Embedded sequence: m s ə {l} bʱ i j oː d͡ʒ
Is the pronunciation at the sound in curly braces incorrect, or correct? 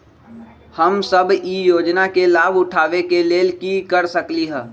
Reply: incorrect